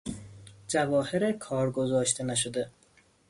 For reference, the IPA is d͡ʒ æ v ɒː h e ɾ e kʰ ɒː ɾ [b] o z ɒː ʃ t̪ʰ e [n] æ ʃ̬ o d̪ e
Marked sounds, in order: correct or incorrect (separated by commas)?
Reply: incorrect, correct